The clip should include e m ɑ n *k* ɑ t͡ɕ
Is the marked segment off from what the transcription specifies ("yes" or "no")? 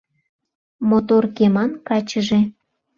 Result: no